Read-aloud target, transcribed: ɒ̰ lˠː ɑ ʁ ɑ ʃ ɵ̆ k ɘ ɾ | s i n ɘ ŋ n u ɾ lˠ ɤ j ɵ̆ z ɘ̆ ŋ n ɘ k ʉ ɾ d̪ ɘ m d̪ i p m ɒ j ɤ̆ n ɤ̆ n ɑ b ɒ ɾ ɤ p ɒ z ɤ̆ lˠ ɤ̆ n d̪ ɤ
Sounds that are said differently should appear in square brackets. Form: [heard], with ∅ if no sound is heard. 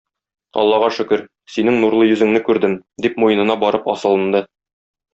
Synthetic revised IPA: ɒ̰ lˠː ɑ ʁ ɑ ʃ ɵ̆ k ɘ ɾ | s i n ɘ ŋ n u ɾ lˠ ɤ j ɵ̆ z ɘ̆ ŋ n ɘ k ʉ ɾ d̪ ɘ m d̪ i p m [u] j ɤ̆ n ɤ̆ n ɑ b ɒ ɾ ɤ p ɒ [s] ɤ̆ lˠ ɤ̆ n d̪ ɤ